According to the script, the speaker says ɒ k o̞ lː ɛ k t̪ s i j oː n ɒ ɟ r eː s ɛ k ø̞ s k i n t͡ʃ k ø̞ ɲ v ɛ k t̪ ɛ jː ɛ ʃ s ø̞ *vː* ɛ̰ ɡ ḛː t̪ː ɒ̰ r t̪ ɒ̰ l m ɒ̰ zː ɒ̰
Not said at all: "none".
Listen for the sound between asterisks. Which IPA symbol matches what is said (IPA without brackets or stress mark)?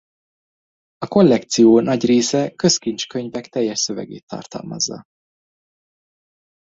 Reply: v